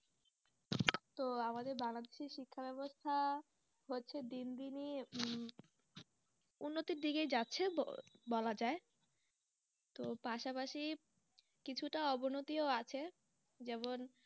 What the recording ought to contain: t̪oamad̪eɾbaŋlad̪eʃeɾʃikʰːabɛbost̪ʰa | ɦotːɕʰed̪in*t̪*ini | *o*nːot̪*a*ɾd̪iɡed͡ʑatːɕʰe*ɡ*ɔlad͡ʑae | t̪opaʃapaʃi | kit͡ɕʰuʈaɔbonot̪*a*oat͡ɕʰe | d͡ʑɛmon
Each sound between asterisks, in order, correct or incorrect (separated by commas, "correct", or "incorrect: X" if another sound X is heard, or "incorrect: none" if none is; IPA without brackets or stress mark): incorrect: d̪, incorrect: u, incorrect: i, incorrect: b, incorrect: i